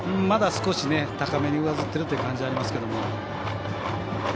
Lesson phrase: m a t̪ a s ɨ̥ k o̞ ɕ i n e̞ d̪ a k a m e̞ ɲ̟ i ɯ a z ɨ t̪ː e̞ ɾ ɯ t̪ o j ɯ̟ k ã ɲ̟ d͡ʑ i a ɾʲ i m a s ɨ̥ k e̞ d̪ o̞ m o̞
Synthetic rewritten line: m a d̪ a s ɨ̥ k o̞ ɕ i n e̞ t̪ a k a m e̞ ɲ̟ i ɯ a z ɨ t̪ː e̞ ɾ ɯ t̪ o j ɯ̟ k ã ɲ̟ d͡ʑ i a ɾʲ i m a s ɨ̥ k e̞ d̪ o̞ m o̞